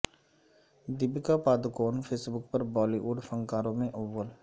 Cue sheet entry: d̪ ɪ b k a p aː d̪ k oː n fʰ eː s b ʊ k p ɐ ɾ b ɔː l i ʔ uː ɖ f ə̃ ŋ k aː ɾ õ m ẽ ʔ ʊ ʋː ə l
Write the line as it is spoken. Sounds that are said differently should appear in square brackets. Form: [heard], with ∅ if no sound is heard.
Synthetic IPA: d̪ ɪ b k a p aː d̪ k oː n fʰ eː s b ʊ k p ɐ ɾ b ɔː l i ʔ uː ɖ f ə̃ ŋ k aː ɾ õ m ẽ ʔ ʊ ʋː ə l